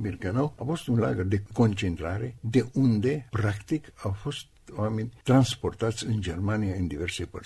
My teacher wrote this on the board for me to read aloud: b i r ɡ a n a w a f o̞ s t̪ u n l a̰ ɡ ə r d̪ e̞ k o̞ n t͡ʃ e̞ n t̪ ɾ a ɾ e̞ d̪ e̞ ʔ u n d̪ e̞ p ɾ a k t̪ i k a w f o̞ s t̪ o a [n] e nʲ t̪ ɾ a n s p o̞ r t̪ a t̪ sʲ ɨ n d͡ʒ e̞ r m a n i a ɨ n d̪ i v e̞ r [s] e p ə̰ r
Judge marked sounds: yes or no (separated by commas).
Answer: no, yes